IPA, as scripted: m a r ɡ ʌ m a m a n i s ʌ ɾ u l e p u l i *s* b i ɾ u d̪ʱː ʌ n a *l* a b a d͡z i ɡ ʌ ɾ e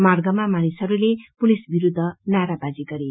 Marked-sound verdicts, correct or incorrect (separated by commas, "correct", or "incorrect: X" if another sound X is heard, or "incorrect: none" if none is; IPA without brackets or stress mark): correct, incorrect: ɾ